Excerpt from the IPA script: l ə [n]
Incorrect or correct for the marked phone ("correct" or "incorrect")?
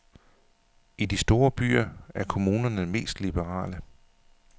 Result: incorrect